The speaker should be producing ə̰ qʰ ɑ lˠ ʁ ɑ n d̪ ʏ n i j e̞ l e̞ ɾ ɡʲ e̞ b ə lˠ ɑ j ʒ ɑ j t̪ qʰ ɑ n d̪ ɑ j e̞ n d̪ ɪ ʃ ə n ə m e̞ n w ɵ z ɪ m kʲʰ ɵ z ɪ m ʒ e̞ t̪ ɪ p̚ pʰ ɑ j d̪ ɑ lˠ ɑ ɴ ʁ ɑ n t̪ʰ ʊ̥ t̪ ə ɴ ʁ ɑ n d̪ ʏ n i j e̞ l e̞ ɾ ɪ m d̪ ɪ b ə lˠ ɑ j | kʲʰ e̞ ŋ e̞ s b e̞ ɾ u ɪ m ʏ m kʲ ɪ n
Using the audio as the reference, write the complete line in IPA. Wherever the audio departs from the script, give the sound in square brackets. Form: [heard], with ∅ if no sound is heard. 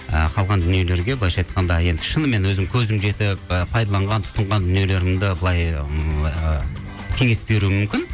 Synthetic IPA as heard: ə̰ qʰ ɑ lˠ ʁ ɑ n d̪ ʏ n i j e̞ l e̞ ɾ ɡʲ e̞ b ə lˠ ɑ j [ʃ] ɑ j t̪ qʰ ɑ n d̪ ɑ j e̞ n d̪ ɪ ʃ ə n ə m e̞ n w ɵ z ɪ m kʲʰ ɵ z ɪ m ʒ e̞ t̪ ɪ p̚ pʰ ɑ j d̪ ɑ lˠ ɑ ɴ ʁ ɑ n t̪ʰ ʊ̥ t̪ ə ɴ ʁ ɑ n d̪ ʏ n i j e̞ l e̞ ɾ ɪ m d̪ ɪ b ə lˠ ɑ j | kʲʰ e̞ ŋ e̞ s b e̞ ɾ u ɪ m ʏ m kʲ ɪ n